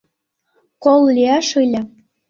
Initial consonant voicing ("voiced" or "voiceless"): voiceless